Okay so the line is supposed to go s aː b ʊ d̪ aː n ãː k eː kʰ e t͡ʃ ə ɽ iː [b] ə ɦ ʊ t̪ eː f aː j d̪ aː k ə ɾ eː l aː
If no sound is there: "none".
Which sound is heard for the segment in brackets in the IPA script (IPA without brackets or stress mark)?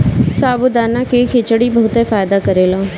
b